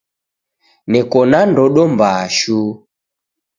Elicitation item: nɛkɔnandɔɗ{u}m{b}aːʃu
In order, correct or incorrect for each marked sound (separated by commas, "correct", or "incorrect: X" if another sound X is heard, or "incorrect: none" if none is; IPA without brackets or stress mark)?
incorrect: ɔ, correct